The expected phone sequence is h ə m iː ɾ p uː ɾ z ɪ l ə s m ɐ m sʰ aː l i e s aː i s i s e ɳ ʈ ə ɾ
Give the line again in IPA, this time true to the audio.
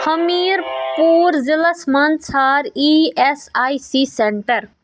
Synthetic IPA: h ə m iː ɾ p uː ɾ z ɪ l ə s m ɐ n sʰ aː ɾ i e s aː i s i s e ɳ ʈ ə ɾ